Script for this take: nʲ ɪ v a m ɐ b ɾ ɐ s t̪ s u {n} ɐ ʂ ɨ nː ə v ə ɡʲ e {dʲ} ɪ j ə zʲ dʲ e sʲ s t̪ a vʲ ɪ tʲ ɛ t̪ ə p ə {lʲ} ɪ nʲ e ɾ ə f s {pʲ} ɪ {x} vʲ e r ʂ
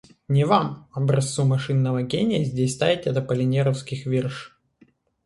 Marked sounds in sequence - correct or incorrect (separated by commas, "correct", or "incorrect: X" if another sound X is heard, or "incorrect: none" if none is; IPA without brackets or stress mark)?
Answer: incorrect: m, incorrect: nʲ, correct, incorrect: kʲ, correct